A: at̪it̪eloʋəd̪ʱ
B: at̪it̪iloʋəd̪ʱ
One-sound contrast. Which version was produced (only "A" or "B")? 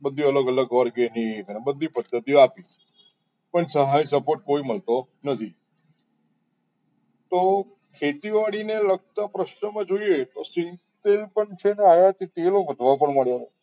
A